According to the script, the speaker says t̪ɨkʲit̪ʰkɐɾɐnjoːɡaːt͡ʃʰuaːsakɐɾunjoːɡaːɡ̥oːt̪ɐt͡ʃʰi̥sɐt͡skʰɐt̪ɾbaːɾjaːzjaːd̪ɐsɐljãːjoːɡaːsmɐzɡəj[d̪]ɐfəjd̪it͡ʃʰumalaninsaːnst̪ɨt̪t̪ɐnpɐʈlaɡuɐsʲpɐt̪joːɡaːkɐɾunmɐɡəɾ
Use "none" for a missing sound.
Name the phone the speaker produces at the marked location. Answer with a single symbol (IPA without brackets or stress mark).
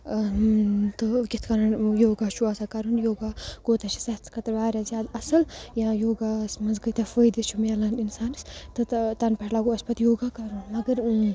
t̪